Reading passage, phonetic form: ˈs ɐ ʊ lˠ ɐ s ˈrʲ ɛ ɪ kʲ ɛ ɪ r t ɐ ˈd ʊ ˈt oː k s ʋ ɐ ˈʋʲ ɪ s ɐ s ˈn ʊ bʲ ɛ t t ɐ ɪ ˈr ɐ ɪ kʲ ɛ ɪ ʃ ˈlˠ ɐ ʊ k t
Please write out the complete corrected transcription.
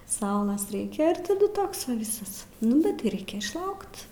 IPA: ˈs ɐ ʊ lˠ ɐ s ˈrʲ ɛ ɪ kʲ ɛ ɪ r t ɐ ˈd ʊ ˈt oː k s ʋ ɐ ˈʋʲ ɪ s ɐ s ˈn ʊ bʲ ɛ t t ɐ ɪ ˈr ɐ ɪ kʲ ɛ ɪ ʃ ˈlˠ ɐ ʊ k t